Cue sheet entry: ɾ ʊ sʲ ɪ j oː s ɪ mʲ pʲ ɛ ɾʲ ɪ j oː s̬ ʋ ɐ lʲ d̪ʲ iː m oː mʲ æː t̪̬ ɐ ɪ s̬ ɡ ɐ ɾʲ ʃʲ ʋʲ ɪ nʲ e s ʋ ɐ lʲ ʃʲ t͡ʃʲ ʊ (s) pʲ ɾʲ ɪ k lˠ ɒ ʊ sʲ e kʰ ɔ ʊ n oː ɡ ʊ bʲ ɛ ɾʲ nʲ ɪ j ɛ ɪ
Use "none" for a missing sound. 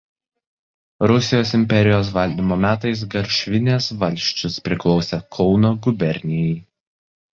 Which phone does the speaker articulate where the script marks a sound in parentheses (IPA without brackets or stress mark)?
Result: s